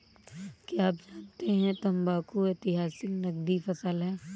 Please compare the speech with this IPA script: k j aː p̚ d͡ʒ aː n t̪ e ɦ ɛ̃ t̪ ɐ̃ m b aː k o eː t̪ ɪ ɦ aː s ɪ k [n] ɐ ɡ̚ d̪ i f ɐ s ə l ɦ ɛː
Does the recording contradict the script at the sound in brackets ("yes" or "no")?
no